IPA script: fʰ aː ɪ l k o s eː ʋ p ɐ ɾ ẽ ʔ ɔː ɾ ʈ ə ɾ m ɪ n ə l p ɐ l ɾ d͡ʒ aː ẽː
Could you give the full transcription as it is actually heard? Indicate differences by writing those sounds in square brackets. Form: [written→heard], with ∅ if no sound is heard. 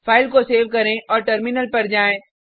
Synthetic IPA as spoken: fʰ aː ɪ l k o s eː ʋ [p→k] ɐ ɾ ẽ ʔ ɔː ɾ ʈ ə ɾ m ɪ n ə l p ɐ [l→∅] ɾ d͡ʒ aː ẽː